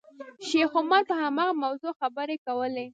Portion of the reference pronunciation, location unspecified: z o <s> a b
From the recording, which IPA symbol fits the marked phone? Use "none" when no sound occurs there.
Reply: x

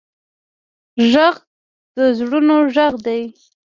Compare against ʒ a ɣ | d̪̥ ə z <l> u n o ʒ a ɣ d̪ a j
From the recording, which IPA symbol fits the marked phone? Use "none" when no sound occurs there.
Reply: ɽ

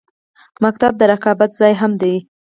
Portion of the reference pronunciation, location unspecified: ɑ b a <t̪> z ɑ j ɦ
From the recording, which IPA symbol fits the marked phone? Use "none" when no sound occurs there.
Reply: t̪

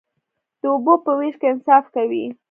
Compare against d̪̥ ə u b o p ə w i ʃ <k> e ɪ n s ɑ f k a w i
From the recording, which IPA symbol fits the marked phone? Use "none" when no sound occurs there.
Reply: k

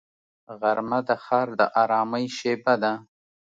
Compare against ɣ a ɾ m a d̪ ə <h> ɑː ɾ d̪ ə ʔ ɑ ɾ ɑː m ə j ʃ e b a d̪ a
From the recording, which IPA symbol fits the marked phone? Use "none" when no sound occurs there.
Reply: x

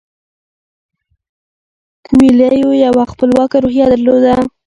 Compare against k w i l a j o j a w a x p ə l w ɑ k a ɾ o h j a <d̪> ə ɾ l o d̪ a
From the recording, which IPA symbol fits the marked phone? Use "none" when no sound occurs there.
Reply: d̪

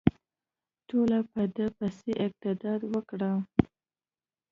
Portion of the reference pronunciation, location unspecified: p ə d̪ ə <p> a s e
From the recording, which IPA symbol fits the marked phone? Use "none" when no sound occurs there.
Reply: p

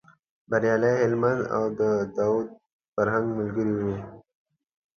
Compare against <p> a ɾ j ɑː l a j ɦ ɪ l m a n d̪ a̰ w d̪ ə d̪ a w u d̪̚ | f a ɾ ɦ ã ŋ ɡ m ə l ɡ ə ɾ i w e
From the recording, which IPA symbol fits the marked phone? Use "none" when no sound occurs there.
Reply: b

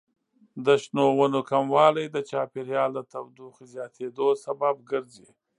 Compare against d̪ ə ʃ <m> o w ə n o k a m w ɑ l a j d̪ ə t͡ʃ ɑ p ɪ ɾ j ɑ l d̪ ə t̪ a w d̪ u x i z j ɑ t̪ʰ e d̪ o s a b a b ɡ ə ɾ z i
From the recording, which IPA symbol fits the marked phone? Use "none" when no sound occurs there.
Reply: n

